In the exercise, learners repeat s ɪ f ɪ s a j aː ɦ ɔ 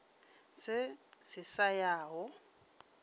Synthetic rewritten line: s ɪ s ɪ s a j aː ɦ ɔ